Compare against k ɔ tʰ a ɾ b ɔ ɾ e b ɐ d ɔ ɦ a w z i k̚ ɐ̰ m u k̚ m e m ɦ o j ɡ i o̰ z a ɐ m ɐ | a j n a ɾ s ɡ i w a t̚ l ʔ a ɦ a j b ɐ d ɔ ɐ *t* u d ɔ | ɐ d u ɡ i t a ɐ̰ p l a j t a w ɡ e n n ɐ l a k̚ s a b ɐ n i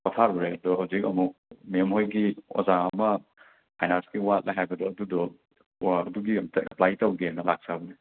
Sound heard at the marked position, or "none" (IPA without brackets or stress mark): d